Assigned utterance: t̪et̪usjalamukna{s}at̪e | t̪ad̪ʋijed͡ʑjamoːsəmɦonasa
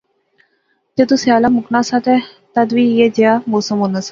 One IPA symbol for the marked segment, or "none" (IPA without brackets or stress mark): s